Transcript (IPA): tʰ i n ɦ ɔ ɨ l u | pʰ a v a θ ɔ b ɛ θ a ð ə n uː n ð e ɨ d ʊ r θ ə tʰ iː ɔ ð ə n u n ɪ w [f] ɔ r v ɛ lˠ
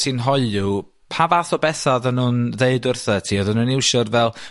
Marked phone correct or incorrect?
incorrect